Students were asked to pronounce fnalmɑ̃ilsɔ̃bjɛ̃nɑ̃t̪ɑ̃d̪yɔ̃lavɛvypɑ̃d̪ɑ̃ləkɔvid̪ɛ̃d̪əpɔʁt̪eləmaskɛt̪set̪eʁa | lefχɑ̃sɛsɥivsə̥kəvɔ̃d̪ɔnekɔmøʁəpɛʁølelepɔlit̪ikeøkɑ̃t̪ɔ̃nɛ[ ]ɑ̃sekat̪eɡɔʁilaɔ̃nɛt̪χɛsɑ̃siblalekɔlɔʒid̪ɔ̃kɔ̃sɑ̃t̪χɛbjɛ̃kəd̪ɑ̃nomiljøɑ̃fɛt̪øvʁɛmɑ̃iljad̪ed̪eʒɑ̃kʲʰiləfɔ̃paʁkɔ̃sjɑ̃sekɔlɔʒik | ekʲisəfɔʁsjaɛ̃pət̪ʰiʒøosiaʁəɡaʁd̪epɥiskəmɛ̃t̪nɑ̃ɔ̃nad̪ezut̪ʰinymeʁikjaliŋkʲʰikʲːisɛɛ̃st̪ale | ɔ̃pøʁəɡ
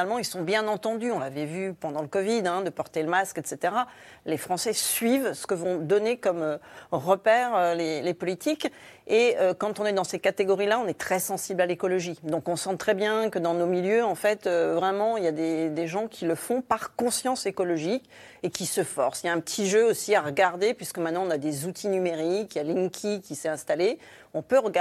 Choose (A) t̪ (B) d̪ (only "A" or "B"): B